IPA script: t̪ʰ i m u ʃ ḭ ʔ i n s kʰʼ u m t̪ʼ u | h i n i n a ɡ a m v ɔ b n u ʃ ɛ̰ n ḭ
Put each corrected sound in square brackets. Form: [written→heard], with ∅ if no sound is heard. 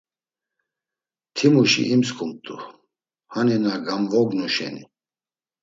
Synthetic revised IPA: t̪ʰ i m u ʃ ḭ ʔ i [n→m] s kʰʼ u m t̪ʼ u | h [i→a] n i n a ɡ a m v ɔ [b→ɡ] n u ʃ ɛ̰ n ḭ

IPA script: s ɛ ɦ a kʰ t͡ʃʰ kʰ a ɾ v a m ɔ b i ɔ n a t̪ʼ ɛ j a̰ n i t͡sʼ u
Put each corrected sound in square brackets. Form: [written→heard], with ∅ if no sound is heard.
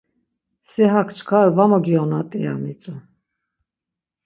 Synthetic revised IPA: s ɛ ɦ a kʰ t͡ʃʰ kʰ a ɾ v a m ɔ [b→ɡ] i ɔ n a t̪ʼ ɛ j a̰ [n→m] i t͡sʼ u

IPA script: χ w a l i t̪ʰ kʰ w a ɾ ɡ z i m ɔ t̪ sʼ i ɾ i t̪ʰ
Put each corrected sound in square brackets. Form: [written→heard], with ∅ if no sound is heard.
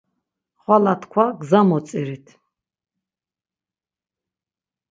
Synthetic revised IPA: χ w a l [i→a] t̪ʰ kʰ w a [ɾ→∅] ɡ z [i→a] m ɔ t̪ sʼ i ɾ i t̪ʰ

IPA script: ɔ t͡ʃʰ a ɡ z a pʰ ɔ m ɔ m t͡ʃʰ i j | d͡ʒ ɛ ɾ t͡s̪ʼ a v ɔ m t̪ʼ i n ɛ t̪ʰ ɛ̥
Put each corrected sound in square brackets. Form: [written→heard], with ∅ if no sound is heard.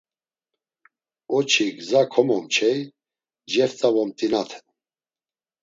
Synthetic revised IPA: ɔ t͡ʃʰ [a→i] ɡ z a [pʰ→kʰ] ɔ m ɔ m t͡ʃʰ [i→ɛ] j | d͡ʒ ɛ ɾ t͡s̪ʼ a v ɔ m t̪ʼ i n [ɛ→a] t̪ʰ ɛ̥

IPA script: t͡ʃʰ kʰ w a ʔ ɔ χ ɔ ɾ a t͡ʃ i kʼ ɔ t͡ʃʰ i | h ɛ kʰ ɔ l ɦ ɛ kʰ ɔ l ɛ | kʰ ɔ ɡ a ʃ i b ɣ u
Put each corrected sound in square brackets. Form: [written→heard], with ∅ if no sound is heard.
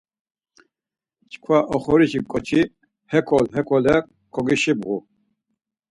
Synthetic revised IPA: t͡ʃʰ kʰ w a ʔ ɔ χ ɔ ɾ [a→i] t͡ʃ i kʼ ɔ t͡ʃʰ i | h ɛ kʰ ɔ l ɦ ɛ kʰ ɔ l ɛ | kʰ ɔ ɡ [a→i] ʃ i b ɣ u

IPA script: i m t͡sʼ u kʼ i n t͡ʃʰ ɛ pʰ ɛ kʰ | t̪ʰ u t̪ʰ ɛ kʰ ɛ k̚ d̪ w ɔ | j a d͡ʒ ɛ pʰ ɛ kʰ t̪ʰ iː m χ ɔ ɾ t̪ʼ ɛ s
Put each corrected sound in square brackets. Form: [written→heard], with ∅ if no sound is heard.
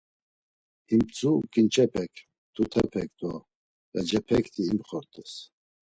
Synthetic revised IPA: i m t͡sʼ u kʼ i n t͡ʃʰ ɛ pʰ ɛ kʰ | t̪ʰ u t̪ʰ ɛ [kʰ→pʰ] ɛ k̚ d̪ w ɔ | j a d͡ʒ ɛ pʰ ɛ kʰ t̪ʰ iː m χ ɔ ɾ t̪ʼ ɛ s

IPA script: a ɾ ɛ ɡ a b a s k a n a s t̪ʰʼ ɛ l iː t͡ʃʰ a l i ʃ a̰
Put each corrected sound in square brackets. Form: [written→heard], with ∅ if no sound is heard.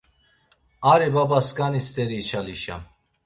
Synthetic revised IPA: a ɾ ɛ [ɡ→b] a b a s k a n [a→i] s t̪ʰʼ ɛ [l→ɾ] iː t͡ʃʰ a l i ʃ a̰

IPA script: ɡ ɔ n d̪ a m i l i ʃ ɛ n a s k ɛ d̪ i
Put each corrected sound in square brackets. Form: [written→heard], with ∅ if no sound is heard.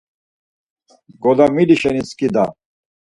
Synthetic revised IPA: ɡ ɔ [n→∅] d̪ a m i l i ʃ ɛ n [a→i] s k [ɛ→i] d̪ [i→a]

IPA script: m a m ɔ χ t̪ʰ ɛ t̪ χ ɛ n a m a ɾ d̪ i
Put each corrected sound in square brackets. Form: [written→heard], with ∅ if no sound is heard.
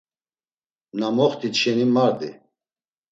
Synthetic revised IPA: [m→n] a m ɔ χ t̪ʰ [ɛ→i] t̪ [χ→ʃ] ɛ n [a→i] m a ɾ d̪ i

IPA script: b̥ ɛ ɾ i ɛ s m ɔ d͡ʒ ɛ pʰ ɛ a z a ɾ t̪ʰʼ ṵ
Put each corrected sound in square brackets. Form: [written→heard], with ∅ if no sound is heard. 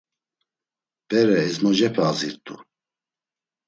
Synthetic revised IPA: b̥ ɛ ɾ [i→ɛ] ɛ [s→z] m ɔ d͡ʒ ɛ pʰ ɛ a z [a→i] ɾ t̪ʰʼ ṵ

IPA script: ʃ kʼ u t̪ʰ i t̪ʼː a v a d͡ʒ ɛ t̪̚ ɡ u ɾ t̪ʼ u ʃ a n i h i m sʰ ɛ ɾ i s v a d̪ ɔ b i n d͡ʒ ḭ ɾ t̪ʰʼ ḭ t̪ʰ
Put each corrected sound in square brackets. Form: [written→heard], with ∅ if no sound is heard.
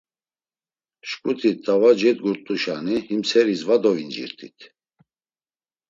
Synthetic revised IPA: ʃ kʼ u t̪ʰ i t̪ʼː a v a d͡ʒ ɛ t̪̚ ɡ u ɾ t̪ʼ u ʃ a n i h i m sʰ ɛ ɾ i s v a d̪ ɔ [b→v] i n d͡ʒ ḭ ɾ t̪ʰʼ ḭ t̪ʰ

